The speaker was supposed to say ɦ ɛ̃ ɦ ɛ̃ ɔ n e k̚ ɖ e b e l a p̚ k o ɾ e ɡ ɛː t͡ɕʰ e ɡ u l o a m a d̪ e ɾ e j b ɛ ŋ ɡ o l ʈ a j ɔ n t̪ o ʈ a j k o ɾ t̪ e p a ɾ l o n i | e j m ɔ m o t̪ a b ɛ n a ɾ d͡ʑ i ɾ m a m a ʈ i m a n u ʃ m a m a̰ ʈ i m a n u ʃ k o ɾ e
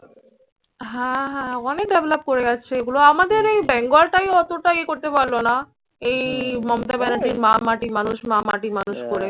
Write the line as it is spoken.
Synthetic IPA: ɦ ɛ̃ ɦ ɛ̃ ɔ n e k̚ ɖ e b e l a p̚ k o ɾ e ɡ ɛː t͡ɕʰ e ɡ u l o a m a d̪ e ɾ e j b ɛ ŋ ɡ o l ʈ a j ɔ t̪ o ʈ a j k o ɾ t̪ e p a ɾ l o n a | e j m ɔ m o t̪ a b ɛ n a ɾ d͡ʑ i ɾ m a m a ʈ i m a n u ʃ m a m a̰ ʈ i m a n u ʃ k o ɾ e